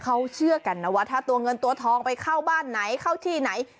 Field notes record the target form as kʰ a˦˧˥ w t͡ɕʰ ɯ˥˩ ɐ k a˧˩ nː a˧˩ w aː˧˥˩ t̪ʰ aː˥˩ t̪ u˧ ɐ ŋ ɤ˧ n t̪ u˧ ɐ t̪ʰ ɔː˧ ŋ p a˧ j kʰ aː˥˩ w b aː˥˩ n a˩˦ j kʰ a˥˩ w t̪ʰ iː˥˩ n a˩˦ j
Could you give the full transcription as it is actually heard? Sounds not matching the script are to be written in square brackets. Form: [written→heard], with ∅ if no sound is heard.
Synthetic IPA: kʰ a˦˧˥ w t͡ɕʰ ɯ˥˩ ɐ k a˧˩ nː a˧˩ w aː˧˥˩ t̪ʰ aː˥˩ t̪ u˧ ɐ ŋ ɤ˧ n t̪ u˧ ɐ t̪ʰ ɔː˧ ŋ p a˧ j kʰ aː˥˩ w b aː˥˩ [n→nː] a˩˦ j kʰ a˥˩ w t̪ʰ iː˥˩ n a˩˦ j